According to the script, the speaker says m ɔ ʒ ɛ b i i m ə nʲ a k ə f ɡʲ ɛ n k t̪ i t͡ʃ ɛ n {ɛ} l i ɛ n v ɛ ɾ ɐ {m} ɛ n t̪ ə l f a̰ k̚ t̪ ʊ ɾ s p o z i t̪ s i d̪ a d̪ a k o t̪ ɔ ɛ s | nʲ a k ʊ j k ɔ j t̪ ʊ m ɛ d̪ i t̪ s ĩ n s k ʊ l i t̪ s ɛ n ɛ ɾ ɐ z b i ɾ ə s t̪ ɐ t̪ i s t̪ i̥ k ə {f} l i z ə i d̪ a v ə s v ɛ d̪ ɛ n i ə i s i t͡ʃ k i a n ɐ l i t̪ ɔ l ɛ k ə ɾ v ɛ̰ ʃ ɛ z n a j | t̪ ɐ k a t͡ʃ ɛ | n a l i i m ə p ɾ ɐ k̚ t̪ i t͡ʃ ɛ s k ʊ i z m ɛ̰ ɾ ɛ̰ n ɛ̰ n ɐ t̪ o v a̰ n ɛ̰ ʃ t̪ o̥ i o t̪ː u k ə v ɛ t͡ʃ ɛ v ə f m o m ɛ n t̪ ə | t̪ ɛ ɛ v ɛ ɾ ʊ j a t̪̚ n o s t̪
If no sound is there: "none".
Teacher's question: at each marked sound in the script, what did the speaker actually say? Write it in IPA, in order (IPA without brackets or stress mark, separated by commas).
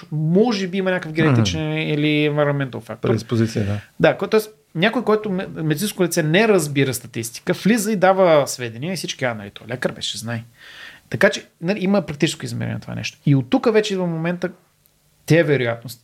i, m, f